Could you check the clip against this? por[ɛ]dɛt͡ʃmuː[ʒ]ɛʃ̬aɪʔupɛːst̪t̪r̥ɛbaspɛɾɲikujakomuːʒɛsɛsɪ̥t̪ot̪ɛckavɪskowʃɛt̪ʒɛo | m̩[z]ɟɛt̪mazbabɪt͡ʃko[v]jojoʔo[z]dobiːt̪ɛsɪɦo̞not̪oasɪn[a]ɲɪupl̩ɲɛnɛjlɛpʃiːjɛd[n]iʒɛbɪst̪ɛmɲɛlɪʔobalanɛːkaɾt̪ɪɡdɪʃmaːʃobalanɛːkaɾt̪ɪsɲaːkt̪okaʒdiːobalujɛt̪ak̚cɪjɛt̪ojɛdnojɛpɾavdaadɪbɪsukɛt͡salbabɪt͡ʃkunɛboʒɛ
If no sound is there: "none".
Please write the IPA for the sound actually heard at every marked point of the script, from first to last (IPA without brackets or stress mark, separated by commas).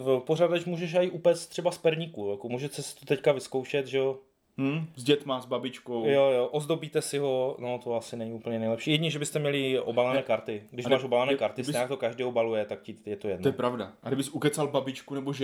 a, ʒ, z, w, z, ɛ, ɲ